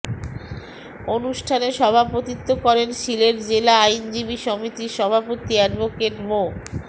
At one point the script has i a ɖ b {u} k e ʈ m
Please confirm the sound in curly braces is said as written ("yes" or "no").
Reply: no